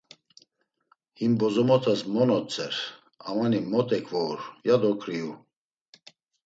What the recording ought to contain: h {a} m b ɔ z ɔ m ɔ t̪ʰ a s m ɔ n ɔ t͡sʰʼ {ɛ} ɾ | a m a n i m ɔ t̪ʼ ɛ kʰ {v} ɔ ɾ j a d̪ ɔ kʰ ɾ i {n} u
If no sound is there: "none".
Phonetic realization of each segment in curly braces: i, ɛ, v, none

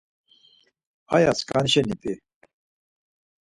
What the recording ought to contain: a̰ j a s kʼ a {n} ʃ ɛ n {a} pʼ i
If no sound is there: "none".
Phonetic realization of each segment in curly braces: n, i

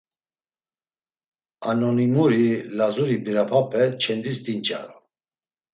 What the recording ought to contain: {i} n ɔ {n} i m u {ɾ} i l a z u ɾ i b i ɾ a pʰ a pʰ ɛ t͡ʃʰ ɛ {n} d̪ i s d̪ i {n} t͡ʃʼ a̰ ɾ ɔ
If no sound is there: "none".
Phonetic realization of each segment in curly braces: a, n, ɾ, n, n

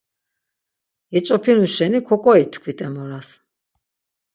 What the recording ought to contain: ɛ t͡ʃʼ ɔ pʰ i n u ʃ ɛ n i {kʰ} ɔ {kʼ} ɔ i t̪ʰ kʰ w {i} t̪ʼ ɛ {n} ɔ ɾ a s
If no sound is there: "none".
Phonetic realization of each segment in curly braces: kʰ, kʼ, i, m

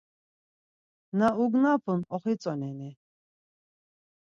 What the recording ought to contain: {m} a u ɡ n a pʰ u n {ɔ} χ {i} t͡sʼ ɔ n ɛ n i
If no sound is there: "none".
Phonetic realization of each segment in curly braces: n, ɔ, i

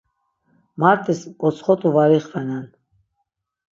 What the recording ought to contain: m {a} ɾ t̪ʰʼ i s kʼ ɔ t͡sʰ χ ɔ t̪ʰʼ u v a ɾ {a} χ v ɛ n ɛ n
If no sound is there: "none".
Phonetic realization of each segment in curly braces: a, i

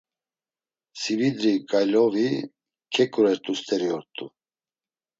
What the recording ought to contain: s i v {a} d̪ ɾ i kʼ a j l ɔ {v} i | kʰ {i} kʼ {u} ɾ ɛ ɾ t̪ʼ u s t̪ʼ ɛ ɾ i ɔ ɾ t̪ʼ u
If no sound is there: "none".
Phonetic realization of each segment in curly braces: i, v, ɛ, u

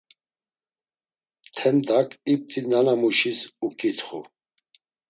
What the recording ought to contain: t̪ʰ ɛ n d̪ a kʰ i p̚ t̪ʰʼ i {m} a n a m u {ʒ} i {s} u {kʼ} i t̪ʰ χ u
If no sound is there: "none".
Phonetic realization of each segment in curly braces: n, ʃ, s, kʼ

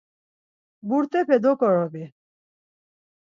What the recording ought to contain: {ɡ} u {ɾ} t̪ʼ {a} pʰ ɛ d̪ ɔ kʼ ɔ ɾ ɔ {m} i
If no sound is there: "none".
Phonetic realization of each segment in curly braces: b, ɾ, ɛ, b

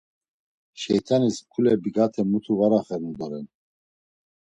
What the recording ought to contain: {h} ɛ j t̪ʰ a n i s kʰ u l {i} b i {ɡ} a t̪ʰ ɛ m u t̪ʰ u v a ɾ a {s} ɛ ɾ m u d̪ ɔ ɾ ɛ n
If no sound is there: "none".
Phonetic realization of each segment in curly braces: ʃ, ɛ, ɡ, χ

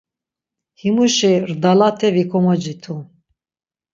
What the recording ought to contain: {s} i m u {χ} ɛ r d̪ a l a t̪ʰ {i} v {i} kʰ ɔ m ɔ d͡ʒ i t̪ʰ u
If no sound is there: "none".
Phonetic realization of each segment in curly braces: h, ʃ, ɛ, i

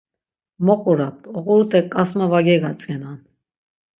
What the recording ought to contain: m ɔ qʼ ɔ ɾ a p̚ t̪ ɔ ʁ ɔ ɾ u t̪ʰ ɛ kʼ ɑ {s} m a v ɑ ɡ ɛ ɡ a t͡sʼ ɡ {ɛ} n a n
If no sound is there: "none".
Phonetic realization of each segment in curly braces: s, ɛ

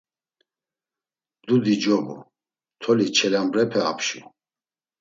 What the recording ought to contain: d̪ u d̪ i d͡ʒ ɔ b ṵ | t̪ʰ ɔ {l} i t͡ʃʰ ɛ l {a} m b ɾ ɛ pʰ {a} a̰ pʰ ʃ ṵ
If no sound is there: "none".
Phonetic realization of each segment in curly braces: l, a, ɛ

